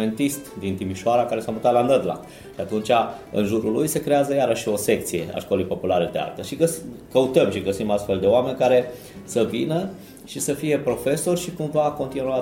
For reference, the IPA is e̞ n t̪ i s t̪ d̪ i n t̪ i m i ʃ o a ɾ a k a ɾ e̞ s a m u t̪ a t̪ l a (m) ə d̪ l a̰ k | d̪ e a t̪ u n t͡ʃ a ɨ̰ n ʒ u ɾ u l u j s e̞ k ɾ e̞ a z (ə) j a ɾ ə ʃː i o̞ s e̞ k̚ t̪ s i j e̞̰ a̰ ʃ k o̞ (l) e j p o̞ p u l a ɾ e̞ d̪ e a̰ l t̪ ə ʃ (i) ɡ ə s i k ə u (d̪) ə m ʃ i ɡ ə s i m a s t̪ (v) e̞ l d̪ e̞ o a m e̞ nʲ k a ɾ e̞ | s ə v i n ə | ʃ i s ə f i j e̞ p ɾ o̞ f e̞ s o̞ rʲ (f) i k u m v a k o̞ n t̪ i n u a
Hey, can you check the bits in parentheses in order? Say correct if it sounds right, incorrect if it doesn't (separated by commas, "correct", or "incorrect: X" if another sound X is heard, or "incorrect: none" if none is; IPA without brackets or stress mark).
incorrect: n, correct, correct, correct, incorrect: t̪, incorrect: f, incorrect: ʃ